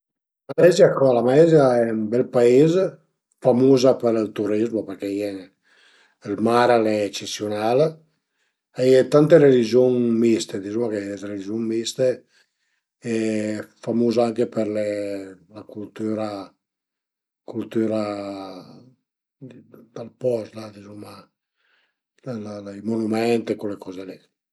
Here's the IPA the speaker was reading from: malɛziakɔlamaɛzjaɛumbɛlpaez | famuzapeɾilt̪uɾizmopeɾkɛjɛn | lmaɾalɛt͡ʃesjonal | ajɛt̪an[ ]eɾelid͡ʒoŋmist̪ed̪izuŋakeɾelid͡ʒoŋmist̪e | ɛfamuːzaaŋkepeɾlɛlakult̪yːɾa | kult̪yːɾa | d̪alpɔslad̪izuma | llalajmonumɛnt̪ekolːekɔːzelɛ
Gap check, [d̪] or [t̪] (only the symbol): t̪